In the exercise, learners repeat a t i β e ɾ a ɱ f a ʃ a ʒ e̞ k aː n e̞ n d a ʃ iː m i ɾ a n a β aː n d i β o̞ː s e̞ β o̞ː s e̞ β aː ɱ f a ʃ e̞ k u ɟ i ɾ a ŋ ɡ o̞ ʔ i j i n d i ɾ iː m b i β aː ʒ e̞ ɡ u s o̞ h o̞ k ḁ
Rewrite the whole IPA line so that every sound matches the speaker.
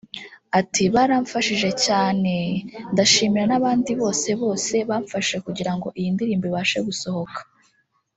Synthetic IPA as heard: a t i β a ɾ a ɱ f a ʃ i ʒ e̞ c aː n e̞ n d a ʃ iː m i ɾ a n a β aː n d i β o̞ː s e̞ β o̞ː s e̞ β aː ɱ f a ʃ e̞ k u ɟ i ɾ a ŋ ɡ o̞ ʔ i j i n d i ɾ iː m b i β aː ʃ e̞ ɡ u s o̞ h o̞ k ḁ